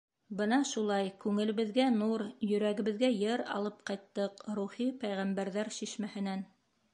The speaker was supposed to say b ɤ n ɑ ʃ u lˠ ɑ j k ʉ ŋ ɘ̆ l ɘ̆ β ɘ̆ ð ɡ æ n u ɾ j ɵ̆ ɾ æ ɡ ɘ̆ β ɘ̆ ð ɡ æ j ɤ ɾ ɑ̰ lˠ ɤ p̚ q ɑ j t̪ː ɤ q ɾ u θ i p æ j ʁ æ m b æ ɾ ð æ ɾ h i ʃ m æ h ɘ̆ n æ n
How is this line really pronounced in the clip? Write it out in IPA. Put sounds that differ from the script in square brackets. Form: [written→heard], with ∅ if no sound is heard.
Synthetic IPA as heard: b ɤ n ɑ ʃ u lˠ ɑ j k ʉ ŋ ɘ̆ l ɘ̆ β ɘ̆ ð ɡ æ n u ɾ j ɵ̆ ɾ æ ɡ ɘ̆ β ɘ̆ ð ɡ æ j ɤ ɾ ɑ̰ lˠ ɤ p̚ q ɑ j t̪ː ɤ q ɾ u [θ→χ] i p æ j ʁ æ m b æ ɾ ð æ ɾ [h→ʃ] i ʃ m æ h ɘ̆ n æ n